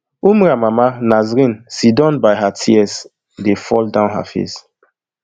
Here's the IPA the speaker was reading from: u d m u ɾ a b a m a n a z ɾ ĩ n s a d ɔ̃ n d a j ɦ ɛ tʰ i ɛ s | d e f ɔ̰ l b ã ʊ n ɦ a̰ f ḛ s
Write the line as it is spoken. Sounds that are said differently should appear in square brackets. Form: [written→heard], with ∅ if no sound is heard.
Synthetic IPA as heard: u [d→∅] m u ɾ a [b→m] a m a n a z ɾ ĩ n s [a→i] d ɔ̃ n [d→b] a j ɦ [ɛ→a] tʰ i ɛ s | d e f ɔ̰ l [b→d] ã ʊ n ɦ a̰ f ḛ s